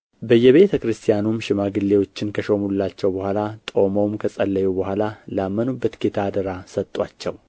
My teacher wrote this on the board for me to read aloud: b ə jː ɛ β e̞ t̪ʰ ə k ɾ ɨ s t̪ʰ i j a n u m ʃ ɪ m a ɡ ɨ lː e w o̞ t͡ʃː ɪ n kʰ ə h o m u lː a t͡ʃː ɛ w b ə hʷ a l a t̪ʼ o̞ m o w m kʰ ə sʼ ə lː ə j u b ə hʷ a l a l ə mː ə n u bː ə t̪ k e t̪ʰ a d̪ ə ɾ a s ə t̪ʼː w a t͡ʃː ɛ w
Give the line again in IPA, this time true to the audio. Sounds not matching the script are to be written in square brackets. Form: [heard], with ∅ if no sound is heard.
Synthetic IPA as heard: b ə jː ɛ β e̞ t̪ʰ ə k ɾ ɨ s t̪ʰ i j a n u m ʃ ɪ m a ɡ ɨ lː e w o̞ t͡ʃː ɪ n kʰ ə [ʃ] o m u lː a t͡ʃː ɛ w b ə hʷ a l a t̪ʼ o̞ m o w m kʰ ə sʼ ə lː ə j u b ə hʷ a l a l [a] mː ə n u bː ə t̪ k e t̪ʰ a d̪ ə ɾ a s ə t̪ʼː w a t͡ʃː ɛ w

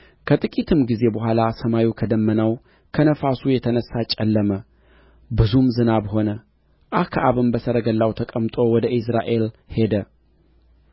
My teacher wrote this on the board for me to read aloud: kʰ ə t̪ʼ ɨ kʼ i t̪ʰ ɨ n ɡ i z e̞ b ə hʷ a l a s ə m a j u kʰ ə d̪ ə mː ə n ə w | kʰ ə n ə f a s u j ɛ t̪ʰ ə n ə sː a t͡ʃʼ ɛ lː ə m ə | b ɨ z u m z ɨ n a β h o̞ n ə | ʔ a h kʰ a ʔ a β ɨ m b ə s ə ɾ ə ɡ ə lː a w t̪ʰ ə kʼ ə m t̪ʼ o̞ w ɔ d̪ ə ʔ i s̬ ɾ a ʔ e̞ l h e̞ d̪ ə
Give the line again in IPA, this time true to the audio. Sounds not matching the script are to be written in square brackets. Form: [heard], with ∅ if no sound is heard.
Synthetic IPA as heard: kʰ ə t̪ʼ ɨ kʼ i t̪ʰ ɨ [m] ɡ i z e̞ b ə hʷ a l a s ə m a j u kʰ ə d̪ ə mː ə n ə w | kʰ ə n ə f a s u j ɛ t̪ʰ ə n ə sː a t͡ʃʼ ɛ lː ə m ə | b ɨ z u m z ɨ n a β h o̞ n ə | ʔ a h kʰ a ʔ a β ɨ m b ə s ə ɾ ə ɡ ə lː a w t̪ʰ ə kʼ ə m t̪ʼ o̞ w ɔ d̪ ə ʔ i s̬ ɾ a ʔ e̞ l h e̞ d̪ ə

